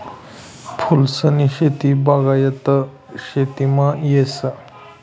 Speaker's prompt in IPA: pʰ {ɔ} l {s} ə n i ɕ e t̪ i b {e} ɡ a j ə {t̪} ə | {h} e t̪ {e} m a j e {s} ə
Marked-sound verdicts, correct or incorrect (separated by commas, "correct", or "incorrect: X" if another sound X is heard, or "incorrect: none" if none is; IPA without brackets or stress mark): incorrect: u, correct, incorrect: a, correct, incorrect: ɕ, incorrect: i, correct